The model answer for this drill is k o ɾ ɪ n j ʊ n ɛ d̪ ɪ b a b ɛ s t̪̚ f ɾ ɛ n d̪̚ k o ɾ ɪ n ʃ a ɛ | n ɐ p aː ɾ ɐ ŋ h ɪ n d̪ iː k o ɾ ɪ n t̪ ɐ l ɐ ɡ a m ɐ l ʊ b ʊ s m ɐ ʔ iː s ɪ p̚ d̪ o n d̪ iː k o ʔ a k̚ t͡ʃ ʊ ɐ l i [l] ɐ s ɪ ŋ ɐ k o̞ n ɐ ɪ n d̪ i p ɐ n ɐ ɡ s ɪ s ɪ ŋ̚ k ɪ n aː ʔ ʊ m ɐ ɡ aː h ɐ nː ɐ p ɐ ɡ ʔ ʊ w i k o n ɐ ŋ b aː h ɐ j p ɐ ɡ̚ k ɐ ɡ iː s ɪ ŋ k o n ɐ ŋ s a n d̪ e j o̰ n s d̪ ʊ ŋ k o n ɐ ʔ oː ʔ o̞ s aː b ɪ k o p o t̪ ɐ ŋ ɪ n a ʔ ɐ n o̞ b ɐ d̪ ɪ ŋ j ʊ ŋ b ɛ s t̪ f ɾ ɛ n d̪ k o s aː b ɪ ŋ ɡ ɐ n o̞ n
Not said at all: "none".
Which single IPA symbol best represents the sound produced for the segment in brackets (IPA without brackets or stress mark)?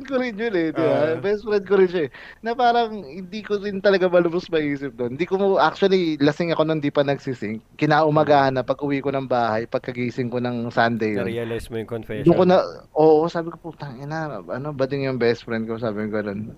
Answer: l